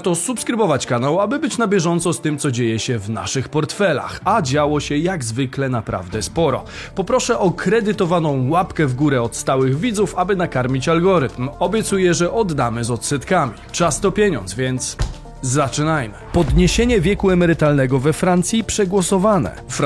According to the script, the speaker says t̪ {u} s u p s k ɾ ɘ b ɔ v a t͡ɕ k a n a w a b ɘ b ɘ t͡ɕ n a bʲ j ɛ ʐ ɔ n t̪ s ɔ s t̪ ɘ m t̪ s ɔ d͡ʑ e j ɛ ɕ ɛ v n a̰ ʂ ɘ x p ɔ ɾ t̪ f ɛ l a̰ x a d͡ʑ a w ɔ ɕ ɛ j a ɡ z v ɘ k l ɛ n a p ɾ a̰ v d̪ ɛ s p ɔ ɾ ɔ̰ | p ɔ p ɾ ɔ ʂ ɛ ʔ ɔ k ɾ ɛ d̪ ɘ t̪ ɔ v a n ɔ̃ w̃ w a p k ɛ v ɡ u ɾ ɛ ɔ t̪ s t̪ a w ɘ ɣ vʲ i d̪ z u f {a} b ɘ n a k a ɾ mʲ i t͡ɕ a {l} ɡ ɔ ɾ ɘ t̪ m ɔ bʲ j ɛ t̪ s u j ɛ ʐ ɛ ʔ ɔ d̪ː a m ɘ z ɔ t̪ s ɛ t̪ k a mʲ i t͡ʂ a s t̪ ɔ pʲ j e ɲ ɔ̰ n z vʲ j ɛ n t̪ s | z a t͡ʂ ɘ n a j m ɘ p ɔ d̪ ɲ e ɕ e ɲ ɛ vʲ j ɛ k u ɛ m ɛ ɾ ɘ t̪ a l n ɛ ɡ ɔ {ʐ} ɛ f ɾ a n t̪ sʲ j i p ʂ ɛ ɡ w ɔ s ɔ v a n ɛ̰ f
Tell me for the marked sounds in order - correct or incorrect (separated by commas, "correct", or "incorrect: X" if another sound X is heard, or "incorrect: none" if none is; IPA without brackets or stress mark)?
incorrect: ɔ, correct, correct, incorrect: v